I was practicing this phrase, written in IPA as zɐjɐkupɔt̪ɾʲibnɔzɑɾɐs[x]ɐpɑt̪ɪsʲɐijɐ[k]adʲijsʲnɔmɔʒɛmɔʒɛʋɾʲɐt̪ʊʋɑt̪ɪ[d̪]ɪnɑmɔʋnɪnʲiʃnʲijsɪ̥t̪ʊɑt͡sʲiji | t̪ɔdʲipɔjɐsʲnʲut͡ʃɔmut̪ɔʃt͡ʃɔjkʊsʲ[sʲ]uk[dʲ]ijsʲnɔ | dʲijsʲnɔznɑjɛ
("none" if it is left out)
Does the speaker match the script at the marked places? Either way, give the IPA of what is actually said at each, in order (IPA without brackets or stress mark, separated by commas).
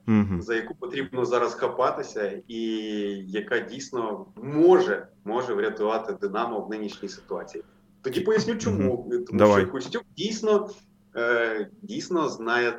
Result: x, k, d̪, tʲ, dʲ